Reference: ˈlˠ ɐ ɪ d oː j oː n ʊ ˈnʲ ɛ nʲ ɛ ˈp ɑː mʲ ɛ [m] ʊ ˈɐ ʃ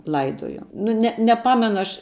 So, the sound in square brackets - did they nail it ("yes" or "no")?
no